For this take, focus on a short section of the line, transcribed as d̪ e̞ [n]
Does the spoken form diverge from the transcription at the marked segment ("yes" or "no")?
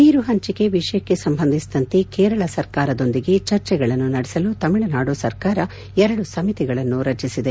yes